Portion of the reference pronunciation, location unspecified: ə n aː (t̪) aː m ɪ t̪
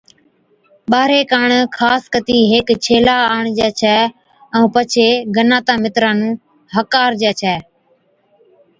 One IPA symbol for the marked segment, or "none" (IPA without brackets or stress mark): t̪